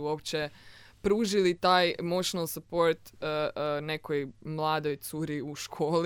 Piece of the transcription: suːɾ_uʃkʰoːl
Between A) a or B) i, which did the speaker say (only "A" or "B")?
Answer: B